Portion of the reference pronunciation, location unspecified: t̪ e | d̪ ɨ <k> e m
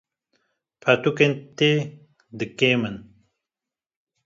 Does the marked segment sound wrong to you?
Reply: no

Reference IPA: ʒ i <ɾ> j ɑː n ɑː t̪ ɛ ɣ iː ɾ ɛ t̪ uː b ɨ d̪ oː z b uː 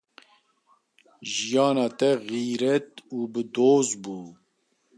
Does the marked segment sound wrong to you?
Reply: yes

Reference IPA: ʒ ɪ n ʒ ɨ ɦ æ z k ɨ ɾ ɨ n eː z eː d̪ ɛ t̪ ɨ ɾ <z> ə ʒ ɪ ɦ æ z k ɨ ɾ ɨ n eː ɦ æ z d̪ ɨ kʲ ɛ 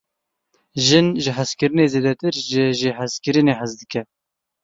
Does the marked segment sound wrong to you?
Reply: yes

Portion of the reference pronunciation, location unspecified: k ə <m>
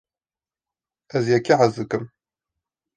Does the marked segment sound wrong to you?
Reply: no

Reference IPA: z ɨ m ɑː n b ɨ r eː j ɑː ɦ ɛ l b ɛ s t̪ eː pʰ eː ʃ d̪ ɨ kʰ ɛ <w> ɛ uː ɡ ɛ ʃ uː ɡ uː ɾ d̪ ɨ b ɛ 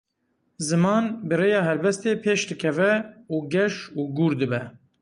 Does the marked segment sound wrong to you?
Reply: yes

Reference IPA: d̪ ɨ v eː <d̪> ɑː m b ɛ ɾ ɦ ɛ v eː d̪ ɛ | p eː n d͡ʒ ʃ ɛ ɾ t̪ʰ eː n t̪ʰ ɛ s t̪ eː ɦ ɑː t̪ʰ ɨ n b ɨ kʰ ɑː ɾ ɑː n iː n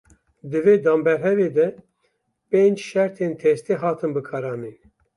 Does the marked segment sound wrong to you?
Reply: no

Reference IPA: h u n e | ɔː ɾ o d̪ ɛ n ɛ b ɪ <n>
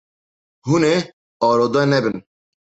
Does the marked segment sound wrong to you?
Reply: no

